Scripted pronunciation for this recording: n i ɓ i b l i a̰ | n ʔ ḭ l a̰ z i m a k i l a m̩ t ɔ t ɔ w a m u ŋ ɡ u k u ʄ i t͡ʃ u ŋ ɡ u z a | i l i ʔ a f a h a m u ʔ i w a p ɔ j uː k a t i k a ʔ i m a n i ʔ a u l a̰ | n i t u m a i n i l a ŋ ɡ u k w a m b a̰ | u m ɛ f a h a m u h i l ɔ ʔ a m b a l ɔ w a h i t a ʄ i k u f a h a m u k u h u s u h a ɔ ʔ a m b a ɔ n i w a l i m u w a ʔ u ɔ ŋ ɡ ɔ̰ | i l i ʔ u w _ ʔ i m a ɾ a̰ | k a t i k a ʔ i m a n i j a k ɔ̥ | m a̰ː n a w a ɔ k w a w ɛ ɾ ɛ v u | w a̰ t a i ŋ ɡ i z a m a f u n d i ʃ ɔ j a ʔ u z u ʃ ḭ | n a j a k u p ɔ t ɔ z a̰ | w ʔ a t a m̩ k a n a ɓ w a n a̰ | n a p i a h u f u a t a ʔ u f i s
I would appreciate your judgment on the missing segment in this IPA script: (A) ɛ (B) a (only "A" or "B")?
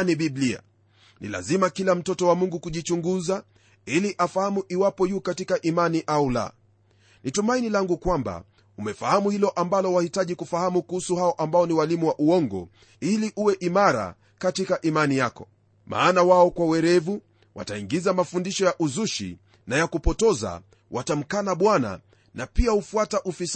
A